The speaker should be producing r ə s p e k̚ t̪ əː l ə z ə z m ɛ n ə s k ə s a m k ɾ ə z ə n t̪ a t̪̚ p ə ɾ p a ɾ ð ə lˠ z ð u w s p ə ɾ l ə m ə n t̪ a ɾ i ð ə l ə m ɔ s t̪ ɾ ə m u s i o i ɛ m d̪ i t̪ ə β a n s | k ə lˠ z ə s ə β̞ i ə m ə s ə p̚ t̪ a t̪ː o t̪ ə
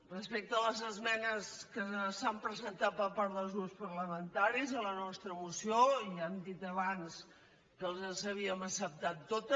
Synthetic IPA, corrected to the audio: r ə s p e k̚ t̪ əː l ə z ə z m ɛ n ə s k ə s a m p ɾ ə z ə n t̪ a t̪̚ p ə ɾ p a ɾ ð ə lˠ z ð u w s p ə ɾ l ə m ə n t̪ a ɾ i z ə l ə n ɔ s t̪ ɾ ə m u s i o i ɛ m d̪ i t̪ ə β a n s | k ə lˠ z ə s ə β̞ i ə m ə s ə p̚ t̪ a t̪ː o t̪ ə